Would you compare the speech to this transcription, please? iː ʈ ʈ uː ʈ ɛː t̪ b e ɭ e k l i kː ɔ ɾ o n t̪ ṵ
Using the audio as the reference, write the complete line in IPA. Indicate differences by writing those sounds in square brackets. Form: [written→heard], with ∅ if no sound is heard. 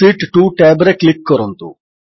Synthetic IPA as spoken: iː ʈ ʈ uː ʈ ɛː [t̪→∅] b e [ɭ→ɾ] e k l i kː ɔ ɾ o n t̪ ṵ